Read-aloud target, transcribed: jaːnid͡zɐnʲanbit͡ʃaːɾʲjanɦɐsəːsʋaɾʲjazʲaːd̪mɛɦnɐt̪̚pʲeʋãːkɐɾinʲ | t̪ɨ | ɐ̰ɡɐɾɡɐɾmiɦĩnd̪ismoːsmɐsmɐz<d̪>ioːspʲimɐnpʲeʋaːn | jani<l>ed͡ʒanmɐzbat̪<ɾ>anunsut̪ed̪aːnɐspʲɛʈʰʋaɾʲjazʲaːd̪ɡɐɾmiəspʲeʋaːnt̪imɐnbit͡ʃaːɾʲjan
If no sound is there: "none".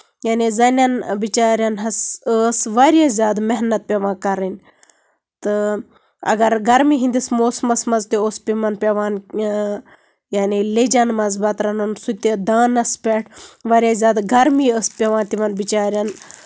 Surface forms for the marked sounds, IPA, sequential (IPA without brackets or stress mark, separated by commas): t̪, l, ɾ